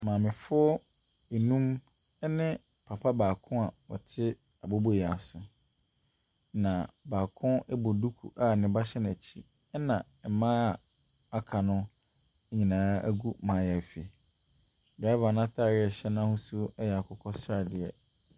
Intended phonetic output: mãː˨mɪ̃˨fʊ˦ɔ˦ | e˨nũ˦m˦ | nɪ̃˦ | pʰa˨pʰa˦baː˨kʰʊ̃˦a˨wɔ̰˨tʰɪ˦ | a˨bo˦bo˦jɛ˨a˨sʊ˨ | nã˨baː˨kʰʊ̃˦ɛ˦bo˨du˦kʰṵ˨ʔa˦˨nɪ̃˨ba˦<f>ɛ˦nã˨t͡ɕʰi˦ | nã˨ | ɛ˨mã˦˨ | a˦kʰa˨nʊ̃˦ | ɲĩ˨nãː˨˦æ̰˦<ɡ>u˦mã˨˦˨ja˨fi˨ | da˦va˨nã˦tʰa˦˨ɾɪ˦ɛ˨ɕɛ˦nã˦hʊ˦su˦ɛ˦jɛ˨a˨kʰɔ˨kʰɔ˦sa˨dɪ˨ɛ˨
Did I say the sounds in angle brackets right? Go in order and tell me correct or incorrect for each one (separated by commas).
incorrect, correct